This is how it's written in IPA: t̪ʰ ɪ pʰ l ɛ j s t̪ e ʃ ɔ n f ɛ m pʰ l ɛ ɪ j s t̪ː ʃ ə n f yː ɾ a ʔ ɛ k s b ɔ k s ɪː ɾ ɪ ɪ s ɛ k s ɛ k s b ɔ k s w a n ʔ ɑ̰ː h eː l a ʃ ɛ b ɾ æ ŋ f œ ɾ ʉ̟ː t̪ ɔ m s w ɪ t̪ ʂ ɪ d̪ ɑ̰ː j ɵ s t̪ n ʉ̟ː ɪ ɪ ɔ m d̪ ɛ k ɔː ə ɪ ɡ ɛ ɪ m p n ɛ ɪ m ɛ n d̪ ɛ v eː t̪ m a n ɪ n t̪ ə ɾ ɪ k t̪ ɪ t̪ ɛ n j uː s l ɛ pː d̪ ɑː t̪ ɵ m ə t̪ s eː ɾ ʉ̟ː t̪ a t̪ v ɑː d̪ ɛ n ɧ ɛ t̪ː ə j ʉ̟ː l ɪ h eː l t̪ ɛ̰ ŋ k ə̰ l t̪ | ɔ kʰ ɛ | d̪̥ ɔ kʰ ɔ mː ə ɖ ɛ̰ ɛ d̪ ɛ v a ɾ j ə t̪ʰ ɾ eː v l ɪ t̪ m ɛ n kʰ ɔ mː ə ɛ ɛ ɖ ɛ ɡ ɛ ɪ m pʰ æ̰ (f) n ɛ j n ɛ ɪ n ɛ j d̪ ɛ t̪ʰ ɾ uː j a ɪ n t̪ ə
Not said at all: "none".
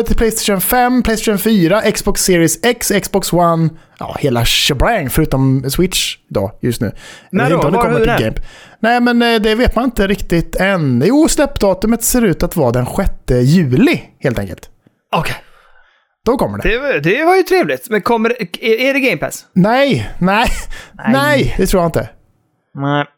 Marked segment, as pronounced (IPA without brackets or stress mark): s